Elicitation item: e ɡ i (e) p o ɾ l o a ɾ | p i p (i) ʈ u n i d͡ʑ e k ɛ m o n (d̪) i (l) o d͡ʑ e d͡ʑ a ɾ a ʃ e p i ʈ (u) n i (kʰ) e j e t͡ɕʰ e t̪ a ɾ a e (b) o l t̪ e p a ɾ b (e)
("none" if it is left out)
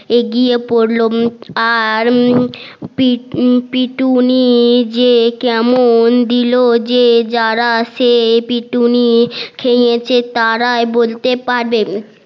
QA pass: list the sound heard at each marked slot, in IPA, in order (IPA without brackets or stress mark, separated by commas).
e, i, d̪, l, u, kʰ, b, e